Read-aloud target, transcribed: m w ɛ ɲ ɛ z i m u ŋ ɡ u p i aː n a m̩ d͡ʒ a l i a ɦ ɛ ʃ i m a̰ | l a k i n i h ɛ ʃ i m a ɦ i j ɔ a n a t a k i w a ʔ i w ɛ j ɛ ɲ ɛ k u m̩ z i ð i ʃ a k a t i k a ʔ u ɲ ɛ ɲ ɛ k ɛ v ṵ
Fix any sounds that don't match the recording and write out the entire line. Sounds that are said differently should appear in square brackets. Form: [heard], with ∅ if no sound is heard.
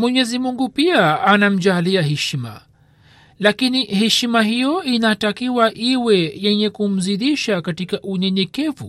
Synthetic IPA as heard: m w ɛ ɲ ɛ z i m u ŋ ɡ u p i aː n a m̩ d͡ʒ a l i a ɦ ɛ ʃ i m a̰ | l a k i n i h ɛ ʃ i m a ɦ i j ɔ [i] n a t a k i w a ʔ i w ɛ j ɛ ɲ ɛ k u m̩ z i ð i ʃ a k a t i k a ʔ u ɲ ɛ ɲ ɛ k ɛ v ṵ